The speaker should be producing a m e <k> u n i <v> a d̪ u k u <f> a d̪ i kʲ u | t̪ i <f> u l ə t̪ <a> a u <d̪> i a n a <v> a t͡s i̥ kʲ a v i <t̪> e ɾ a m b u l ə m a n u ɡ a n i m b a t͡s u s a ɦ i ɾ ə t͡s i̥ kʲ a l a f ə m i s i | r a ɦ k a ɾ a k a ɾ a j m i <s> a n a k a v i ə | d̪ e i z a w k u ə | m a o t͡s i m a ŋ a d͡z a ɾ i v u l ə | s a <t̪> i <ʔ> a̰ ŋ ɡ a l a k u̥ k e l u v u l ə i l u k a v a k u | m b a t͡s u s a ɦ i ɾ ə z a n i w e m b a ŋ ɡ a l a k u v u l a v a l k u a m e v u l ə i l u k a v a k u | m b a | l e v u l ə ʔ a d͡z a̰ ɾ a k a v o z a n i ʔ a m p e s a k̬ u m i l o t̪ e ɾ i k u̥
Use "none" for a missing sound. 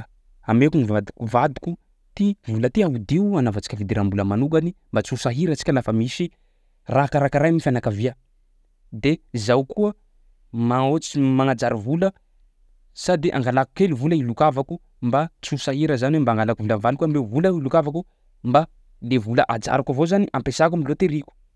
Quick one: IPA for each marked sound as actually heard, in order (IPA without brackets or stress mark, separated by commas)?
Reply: k, v, v, v, i, d̪, v, d̪, f, d̪, ʔ